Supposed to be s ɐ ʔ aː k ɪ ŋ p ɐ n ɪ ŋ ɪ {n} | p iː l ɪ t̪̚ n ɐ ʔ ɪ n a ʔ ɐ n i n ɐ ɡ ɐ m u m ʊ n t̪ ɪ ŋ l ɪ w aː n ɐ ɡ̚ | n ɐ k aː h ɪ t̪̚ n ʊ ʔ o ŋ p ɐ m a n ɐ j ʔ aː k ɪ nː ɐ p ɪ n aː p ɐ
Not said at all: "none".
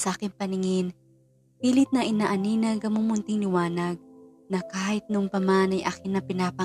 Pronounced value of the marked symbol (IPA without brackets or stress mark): n